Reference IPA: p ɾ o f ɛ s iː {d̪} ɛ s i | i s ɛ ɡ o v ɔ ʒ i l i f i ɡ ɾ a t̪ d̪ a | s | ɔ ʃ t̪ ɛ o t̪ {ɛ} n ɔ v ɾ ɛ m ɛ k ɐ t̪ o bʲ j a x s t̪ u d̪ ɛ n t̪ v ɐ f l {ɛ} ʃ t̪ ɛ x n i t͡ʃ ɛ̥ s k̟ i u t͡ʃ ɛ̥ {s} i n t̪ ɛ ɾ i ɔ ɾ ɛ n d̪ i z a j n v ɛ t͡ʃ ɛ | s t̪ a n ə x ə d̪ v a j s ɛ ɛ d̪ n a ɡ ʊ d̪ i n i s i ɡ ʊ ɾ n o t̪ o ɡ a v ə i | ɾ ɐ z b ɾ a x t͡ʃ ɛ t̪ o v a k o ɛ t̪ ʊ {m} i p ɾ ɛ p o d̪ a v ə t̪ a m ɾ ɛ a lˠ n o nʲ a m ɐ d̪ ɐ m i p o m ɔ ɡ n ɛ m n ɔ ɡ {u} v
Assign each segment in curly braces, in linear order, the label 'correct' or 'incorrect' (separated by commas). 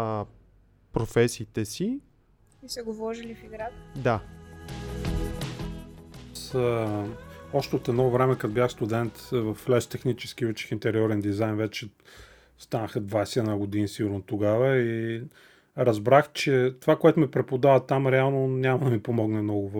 incorrect, correct, correct, incorrect, correct, incorrect